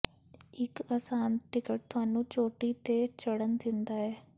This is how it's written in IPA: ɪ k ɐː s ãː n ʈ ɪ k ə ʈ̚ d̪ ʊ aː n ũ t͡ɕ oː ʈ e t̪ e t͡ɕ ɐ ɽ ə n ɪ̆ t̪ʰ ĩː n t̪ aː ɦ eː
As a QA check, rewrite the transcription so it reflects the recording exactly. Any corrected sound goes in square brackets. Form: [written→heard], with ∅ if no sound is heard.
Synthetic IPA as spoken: ɪ k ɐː s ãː n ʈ ɪ k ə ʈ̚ [d̪→t̪] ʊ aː n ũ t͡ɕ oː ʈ [e→i] t̪ e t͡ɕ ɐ ɽ ə n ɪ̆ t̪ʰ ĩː n [t̪→d̪] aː ɦ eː